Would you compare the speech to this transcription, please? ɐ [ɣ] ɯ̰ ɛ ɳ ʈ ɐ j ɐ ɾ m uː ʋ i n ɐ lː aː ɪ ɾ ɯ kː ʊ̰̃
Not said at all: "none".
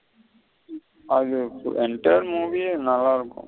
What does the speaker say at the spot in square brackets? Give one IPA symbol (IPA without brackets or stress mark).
ð